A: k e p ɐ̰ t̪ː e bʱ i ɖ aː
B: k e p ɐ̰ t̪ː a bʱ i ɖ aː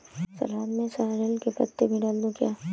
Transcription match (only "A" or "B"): A